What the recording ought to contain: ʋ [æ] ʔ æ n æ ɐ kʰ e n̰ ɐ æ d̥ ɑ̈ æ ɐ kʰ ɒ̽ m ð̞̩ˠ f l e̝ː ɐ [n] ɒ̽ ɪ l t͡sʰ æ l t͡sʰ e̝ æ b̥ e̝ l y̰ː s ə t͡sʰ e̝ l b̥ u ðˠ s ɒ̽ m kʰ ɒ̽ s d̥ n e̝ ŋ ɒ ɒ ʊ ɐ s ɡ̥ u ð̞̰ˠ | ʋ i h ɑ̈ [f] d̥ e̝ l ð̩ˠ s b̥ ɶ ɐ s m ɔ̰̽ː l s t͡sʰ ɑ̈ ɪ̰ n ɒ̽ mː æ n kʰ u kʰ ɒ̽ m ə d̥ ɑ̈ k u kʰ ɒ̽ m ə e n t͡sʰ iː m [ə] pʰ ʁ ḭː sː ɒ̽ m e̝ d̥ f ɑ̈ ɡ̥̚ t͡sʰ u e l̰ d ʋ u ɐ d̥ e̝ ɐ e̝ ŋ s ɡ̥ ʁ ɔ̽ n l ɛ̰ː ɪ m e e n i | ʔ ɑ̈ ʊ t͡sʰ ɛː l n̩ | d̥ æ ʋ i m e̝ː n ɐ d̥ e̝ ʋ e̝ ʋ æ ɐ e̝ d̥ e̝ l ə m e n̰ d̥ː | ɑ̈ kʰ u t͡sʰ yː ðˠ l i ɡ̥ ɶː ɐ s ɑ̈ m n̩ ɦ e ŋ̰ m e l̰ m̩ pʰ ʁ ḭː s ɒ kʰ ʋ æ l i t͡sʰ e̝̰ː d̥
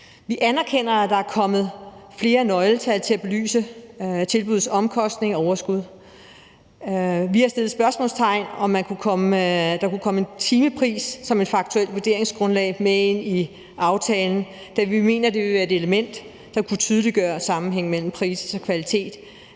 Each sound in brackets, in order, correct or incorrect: incorrect, correct, incorrect, correct

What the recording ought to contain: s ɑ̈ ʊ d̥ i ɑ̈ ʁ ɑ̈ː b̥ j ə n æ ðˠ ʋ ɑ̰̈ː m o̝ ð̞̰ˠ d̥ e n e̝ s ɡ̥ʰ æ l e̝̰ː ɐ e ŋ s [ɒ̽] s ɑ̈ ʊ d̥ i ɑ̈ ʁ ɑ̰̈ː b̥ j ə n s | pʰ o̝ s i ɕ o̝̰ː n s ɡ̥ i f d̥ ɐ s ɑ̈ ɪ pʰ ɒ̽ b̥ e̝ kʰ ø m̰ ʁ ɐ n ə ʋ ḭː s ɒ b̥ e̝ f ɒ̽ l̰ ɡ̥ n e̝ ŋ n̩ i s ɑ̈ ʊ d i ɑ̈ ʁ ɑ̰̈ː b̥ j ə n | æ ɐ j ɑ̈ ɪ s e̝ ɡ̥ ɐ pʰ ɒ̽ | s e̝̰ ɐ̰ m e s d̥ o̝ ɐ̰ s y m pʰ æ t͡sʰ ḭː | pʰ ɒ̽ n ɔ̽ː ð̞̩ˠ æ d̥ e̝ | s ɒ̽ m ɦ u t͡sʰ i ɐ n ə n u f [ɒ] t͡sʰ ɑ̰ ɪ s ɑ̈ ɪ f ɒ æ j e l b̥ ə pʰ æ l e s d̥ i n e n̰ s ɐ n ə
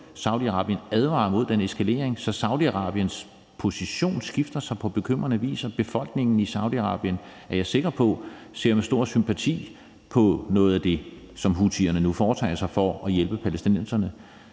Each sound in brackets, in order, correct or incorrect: correct, incorrect

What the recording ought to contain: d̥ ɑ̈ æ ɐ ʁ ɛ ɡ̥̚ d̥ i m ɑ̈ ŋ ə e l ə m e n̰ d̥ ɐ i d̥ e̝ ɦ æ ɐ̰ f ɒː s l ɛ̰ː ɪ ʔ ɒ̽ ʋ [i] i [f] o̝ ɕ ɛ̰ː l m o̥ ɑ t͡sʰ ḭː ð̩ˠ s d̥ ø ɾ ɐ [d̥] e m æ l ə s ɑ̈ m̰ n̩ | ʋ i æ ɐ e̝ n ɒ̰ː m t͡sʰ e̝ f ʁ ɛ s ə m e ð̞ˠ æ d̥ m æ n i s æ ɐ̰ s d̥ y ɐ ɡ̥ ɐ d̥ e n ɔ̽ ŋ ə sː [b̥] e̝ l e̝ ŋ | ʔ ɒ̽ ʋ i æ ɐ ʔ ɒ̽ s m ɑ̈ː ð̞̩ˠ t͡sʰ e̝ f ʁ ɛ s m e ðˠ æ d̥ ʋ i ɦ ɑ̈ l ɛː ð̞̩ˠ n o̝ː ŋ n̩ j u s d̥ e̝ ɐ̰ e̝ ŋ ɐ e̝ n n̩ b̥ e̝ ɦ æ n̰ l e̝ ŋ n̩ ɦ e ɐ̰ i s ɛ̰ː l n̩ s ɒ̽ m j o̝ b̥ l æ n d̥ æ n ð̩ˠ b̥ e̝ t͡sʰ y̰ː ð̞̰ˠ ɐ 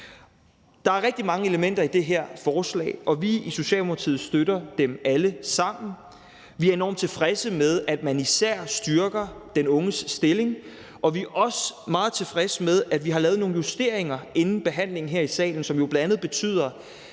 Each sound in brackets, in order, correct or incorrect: correct, incorrect, correct, incorrect

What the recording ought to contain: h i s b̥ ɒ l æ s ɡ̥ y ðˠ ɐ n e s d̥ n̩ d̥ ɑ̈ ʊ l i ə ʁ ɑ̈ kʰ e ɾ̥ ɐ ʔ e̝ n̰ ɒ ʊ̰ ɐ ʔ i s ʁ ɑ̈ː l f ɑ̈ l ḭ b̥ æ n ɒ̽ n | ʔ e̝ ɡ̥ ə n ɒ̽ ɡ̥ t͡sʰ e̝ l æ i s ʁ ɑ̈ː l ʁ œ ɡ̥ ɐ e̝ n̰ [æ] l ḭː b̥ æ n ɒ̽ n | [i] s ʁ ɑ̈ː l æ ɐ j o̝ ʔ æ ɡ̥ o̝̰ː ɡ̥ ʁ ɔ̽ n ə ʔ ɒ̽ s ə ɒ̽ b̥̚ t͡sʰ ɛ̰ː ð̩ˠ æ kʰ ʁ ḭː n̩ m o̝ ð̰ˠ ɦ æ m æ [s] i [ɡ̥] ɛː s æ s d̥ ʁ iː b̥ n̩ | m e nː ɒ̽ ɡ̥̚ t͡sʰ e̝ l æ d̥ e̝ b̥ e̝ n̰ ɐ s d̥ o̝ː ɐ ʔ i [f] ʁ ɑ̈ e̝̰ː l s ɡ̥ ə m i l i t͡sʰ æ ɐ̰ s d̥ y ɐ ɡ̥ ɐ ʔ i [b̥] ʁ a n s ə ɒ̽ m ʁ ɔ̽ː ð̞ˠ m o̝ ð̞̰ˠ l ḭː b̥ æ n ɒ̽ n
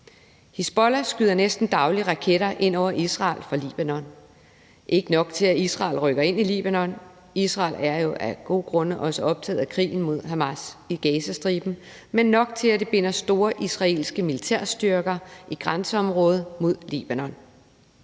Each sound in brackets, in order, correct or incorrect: incorrect, correct, correct, correct, incorrect, incorrect

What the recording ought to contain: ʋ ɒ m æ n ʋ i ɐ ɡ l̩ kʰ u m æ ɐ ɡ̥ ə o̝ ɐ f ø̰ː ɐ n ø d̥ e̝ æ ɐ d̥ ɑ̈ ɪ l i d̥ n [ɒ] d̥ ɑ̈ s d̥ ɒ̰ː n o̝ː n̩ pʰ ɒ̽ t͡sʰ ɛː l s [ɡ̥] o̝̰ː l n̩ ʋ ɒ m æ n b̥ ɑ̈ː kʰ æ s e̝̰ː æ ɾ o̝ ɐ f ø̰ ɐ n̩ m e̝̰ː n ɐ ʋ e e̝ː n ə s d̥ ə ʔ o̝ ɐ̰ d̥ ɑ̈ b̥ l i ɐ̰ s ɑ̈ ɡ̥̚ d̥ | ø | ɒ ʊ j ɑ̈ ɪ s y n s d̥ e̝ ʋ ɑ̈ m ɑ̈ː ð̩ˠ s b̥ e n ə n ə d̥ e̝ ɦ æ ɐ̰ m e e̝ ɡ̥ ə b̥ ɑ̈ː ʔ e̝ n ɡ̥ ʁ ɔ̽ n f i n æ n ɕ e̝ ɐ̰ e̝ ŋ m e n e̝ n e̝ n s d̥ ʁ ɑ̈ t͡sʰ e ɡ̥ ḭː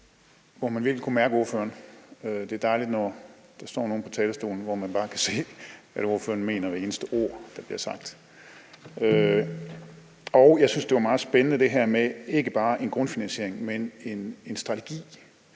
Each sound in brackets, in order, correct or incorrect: correct, incorrect

